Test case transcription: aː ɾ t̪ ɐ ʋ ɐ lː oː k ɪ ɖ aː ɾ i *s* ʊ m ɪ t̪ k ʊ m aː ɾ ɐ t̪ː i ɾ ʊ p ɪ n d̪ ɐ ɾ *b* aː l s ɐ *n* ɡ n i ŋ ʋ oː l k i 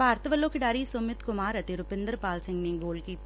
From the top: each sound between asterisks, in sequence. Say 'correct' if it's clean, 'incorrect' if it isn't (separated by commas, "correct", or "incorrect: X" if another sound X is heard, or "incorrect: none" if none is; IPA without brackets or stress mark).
correct, incorrect: p, incorrect: ŋ